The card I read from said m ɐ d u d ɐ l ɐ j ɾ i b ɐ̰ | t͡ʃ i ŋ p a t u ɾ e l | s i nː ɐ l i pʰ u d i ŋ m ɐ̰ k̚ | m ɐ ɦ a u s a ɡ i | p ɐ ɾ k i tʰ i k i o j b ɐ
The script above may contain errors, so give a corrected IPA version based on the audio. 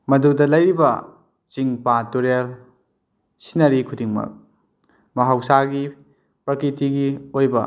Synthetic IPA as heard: m ɐ d u d ɐ l ɐ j ɾ i b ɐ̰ | t͡ʃ i ŋ p a t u ɾ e l | s i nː ɐ ɾ i kʰ u d i ŋ m ɐ̰ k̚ | m ɐ ɦ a w s a ɡ i | p ɐ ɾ k i t i ɡ i o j b ɐ